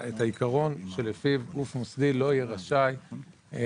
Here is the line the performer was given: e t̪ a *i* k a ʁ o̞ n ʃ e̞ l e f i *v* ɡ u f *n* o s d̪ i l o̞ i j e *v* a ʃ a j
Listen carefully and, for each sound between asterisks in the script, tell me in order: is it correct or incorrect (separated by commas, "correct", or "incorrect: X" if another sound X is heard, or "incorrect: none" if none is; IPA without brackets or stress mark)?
correct, correct, incorrect: m, incorrect: ʁ